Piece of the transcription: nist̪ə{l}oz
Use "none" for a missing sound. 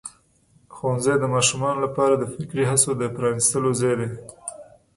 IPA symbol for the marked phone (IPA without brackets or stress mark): l